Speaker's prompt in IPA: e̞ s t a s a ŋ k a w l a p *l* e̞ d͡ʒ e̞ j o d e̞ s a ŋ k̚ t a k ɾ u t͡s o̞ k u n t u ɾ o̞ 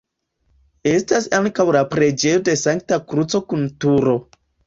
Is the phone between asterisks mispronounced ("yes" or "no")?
yes